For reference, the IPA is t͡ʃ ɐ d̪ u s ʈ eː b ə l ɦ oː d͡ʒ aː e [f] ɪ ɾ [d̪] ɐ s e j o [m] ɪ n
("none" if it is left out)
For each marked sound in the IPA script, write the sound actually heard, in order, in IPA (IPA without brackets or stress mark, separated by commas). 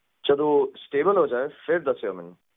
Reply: f, d̪, m